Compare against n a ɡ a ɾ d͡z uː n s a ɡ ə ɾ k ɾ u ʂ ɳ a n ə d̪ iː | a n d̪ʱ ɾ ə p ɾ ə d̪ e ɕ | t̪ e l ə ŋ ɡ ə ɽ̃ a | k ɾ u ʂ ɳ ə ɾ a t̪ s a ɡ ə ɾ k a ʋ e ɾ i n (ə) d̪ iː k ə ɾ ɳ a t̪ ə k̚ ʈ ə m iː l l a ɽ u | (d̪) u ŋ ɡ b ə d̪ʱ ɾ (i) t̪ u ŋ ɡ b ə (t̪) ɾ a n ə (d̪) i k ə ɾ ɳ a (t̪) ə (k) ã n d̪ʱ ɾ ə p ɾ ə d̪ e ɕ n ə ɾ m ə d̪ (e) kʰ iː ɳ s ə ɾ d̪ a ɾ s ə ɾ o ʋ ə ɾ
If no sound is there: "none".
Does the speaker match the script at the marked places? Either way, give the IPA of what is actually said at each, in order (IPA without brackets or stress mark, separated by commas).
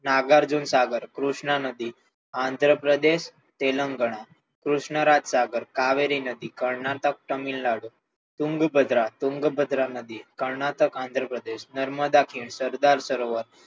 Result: ə, t̪, a, d̪, d̪, t̪, k, a